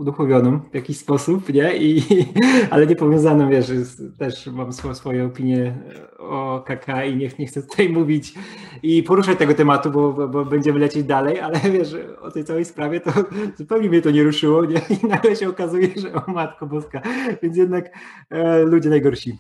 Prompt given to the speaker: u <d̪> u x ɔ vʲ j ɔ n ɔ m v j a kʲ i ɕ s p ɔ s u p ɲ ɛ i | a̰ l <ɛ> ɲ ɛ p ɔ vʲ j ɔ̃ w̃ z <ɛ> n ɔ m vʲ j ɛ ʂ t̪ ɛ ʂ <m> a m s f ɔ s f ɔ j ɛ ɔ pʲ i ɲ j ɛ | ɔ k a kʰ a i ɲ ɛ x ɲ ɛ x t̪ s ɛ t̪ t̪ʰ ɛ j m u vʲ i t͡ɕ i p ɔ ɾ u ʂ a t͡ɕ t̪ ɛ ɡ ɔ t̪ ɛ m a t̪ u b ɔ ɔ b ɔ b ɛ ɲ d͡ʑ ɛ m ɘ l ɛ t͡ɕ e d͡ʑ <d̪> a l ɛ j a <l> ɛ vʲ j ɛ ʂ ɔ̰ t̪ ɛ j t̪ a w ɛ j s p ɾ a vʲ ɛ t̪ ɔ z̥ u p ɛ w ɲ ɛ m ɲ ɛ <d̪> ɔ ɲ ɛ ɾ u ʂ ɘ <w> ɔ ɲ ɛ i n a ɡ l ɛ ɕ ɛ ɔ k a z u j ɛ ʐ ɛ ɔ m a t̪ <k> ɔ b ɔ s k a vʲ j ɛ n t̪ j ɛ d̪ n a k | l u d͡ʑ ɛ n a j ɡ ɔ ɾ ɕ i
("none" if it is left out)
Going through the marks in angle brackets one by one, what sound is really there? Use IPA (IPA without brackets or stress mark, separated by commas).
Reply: d̪, ɛ, a, m, d̪, l, t̪, w, k